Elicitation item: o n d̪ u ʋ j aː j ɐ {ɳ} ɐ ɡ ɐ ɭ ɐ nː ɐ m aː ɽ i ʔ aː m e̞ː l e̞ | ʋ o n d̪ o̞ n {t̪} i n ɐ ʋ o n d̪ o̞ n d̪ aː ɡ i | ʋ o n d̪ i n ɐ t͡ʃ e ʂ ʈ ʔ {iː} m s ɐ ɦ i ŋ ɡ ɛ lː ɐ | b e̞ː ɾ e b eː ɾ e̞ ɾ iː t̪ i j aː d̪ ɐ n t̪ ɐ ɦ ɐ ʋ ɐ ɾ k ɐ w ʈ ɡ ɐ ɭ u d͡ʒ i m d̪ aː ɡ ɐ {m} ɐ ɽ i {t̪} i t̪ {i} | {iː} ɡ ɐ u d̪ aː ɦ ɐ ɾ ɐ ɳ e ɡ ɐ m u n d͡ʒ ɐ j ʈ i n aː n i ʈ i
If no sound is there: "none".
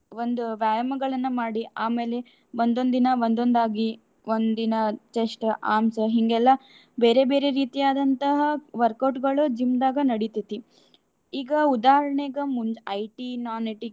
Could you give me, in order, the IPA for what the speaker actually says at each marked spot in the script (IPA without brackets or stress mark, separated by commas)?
m, d̪, aː, n, t̪, i, iː